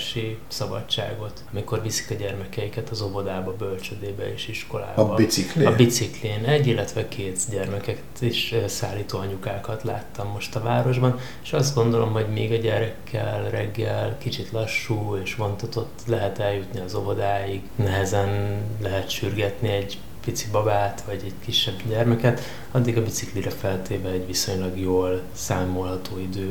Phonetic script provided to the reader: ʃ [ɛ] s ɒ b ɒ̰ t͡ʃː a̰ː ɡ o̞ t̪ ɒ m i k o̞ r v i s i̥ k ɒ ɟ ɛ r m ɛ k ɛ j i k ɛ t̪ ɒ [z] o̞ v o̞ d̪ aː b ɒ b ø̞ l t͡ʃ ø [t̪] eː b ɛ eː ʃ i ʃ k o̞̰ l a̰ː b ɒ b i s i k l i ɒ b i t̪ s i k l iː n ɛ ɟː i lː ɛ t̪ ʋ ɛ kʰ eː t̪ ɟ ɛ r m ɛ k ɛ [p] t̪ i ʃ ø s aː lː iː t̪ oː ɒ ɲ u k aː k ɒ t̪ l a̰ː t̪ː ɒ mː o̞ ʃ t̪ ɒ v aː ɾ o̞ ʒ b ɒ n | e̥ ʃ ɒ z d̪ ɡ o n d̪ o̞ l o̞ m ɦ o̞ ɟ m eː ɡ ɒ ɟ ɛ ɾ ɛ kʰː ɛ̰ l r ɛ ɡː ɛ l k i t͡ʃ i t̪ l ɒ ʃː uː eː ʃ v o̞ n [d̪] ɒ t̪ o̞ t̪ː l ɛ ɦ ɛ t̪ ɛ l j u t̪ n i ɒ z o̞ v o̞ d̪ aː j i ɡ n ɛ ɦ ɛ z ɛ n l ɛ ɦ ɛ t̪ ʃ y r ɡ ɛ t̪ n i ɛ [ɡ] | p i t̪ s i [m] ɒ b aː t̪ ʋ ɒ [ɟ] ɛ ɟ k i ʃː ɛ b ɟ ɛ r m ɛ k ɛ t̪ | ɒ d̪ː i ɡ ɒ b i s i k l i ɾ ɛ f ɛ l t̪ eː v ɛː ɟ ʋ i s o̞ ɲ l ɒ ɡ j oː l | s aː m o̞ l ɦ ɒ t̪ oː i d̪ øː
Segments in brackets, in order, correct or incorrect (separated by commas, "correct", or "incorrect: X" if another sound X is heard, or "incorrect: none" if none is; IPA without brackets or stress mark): incorrect: i, correct, incorrect: d̪, incorrect: k, incorrect: t̪, incorrect: ɟ, incorrect: b, correct